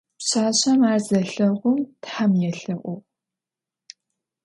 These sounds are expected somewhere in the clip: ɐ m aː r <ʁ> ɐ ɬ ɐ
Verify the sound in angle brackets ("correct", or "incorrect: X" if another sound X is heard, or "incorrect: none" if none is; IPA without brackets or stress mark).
incorrect: z